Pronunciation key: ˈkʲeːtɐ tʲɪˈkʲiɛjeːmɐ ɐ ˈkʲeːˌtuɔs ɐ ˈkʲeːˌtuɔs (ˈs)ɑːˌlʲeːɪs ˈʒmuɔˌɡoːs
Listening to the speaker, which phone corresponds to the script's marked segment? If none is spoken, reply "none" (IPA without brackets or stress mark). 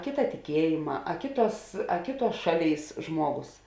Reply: ʃ